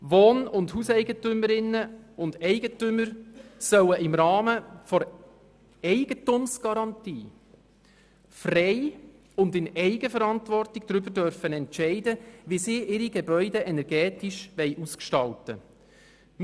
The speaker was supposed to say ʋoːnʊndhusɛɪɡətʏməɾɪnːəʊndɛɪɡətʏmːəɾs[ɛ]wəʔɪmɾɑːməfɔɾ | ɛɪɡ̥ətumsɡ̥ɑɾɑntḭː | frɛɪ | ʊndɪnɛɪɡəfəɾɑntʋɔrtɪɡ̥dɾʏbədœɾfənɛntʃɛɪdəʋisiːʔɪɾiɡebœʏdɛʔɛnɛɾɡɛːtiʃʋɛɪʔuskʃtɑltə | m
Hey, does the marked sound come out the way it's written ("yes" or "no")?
no